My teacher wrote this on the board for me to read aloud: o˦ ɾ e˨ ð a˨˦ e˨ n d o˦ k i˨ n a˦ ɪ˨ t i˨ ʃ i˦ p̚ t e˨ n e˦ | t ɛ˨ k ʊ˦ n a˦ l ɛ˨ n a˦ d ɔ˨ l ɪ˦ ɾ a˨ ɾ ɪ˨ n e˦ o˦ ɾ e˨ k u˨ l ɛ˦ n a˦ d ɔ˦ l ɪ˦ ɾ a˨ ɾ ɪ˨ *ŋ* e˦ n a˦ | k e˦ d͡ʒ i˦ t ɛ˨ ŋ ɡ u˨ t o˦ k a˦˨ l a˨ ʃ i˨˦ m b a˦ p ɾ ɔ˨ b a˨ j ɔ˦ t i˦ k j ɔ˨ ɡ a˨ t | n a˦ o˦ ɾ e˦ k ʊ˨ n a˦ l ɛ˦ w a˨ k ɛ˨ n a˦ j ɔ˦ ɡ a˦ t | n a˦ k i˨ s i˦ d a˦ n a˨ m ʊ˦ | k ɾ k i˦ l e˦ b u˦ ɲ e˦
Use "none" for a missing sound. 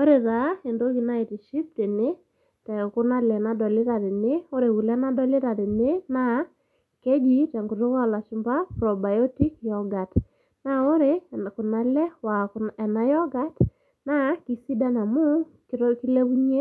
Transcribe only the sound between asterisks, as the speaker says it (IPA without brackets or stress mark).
n